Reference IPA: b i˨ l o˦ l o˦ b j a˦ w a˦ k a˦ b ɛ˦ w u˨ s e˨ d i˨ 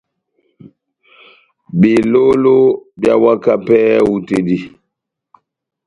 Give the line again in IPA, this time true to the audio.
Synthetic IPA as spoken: b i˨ l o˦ l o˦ b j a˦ w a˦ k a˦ p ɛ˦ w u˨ t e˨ d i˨